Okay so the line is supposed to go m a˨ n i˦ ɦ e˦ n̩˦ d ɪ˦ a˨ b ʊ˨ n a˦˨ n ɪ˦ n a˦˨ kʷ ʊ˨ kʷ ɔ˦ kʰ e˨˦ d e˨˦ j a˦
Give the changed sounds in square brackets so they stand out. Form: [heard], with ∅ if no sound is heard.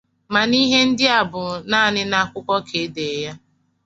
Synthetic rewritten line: m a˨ n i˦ ɦ e˦ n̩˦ d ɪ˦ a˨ b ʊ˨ n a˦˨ n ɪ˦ n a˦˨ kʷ [ʊ˦] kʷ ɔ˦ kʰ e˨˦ d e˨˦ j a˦